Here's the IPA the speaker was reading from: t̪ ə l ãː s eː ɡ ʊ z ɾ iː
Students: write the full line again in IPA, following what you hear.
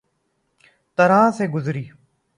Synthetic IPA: t̪ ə ɾ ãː s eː ɡ ʊ z ɾ iː